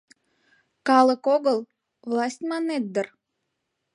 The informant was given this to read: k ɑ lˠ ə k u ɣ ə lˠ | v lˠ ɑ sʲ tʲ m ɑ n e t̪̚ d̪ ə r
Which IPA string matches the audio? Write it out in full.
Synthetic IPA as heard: k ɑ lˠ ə k o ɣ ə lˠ | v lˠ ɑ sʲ tʲ m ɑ n e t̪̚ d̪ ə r